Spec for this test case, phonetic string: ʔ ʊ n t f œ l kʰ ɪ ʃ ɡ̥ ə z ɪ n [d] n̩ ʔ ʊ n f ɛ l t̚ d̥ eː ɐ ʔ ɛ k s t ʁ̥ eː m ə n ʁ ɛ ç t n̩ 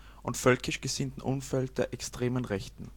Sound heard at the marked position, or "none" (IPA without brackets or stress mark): t